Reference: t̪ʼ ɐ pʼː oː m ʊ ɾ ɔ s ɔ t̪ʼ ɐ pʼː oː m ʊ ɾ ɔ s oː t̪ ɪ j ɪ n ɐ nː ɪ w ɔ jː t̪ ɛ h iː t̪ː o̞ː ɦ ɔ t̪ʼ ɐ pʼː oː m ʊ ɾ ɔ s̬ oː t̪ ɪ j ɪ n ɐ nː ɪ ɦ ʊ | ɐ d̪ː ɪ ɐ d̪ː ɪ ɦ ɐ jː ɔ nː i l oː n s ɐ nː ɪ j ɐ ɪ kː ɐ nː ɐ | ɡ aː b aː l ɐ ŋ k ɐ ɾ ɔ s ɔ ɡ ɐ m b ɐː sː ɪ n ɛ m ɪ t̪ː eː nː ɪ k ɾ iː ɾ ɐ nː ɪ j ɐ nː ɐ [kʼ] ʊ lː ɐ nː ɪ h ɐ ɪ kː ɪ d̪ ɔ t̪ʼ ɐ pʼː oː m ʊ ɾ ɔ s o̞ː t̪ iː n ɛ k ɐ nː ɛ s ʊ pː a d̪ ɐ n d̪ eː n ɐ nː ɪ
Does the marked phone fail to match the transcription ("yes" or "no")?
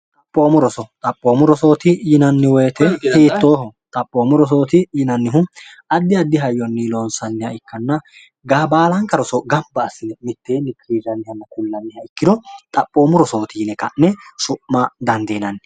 yes